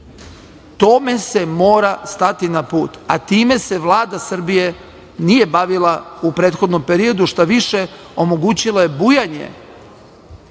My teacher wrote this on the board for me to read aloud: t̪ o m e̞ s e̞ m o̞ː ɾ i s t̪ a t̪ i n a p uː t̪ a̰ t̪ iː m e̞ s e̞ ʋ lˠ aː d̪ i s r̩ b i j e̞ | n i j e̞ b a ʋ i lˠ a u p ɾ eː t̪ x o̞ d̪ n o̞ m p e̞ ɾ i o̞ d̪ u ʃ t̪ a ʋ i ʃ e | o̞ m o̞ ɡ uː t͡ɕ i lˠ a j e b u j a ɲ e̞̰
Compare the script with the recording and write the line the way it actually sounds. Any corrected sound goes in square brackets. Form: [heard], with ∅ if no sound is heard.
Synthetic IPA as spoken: t̪ o m e̞ s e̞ m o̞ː ɾ [a] s t̪ a t̪ i n a p uː t̪ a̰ t̪ iː m e̞ s e̞ ʋ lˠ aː d̪ [a] s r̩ b i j e̞ | n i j e̞ b a ʋ i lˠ a u p ɾ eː t̪ x o̞ d̪ n o̞ m p e̞ ɾ i o̞ d̪ u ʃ t̪ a ʋ i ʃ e | o̞ m o̞ ɡ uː t͡ɕ i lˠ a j e b u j a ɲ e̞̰